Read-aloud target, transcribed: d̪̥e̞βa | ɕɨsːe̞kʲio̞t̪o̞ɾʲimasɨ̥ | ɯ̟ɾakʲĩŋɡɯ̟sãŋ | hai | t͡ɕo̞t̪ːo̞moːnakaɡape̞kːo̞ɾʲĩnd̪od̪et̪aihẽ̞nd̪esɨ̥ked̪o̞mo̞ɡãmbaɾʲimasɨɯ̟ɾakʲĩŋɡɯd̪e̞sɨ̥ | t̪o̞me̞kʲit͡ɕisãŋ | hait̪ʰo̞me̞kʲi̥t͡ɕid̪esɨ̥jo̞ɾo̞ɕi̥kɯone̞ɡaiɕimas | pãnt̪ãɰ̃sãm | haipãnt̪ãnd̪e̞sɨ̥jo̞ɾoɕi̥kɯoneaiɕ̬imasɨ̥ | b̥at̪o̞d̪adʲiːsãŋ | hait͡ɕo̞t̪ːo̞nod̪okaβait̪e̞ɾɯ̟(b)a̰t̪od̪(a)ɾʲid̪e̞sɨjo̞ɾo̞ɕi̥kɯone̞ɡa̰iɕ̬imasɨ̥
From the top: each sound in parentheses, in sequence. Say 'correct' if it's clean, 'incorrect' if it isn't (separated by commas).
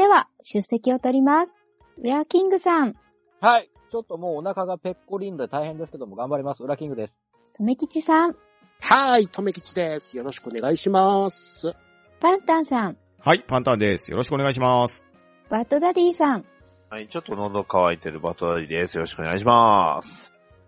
correct, correct